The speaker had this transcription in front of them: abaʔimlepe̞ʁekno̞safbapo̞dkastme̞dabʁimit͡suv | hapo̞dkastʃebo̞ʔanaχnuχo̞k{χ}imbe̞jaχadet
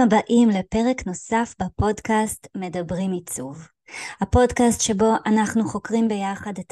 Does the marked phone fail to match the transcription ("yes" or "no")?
yes